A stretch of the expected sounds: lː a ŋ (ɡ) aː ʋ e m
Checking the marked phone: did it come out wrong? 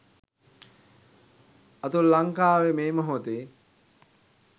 yes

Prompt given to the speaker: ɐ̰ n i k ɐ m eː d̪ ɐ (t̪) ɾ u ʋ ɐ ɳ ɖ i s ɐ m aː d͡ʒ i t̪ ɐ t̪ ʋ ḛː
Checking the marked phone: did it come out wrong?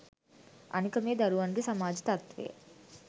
yes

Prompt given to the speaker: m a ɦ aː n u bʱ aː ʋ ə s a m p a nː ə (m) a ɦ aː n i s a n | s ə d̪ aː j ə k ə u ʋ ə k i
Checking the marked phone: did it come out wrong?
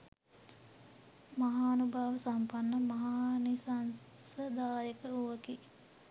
no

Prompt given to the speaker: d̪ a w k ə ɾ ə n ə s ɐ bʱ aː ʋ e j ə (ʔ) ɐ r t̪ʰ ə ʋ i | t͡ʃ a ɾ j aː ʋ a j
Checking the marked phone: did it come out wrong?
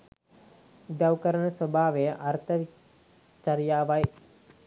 no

